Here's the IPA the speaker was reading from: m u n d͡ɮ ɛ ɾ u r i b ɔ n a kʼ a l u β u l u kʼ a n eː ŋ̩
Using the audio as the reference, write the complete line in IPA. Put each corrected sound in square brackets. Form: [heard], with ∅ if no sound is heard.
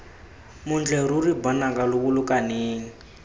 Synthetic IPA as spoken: m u n d͡ɮ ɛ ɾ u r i b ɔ n a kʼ a l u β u l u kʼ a n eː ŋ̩